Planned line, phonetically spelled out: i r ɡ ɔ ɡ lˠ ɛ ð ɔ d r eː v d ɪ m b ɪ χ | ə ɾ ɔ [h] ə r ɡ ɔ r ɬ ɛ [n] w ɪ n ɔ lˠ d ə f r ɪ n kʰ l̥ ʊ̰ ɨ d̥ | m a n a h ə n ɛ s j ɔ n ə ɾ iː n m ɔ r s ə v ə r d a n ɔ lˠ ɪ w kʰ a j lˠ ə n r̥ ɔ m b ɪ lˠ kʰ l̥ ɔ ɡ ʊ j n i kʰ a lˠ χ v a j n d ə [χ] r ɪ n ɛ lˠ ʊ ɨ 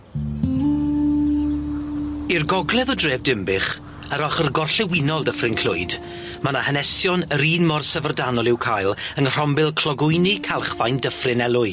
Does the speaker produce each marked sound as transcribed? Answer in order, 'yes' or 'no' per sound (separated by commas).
no, no, no